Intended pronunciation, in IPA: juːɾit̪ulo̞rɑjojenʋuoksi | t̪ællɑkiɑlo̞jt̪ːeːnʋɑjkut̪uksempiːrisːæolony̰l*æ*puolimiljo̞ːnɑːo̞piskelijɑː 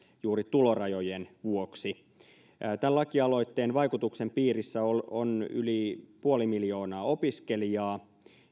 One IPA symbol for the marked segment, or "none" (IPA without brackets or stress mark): i